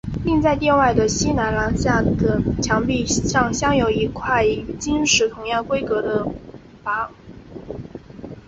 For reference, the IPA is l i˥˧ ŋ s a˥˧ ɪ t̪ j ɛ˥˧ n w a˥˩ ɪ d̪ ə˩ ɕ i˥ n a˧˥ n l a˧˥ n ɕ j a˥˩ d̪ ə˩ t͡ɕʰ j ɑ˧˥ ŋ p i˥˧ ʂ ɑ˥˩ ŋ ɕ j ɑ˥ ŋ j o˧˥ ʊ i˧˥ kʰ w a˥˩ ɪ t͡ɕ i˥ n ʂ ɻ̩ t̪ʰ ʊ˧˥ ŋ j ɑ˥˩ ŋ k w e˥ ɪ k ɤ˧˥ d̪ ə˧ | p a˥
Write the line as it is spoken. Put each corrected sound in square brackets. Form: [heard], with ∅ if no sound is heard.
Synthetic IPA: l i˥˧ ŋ [t͡s] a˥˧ ɪ t̪ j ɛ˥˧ n w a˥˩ ɪ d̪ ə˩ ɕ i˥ n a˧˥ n l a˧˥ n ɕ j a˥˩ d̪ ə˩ t͡ɕʰ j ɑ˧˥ ŋ p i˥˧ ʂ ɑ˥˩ ŋ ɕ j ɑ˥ ŋ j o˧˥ ʊ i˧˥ kʰ w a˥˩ ɪ t͡ɕ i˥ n ʂ ɻ̩ t̪ʰ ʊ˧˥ ŋ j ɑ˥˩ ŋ k w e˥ ɪ k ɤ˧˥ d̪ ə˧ | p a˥